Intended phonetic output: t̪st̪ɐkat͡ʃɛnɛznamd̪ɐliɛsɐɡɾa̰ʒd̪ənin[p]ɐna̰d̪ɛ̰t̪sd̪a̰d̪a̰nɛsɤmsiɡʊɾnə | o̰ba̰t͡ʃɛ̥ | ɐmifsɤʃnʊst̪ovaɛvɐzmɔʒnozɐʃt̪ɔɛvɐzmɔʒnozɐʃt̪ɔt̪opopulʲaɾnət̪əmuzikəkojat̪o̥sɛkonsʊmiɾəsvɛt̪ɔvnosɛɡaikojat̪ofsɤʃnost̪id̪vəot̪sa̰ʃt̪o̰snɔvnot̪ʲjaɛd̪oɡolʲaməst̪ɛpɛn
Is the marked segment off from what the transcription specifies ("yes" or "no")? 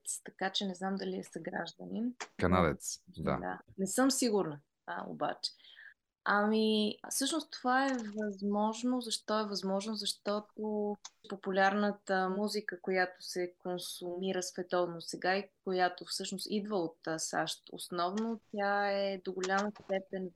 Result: yes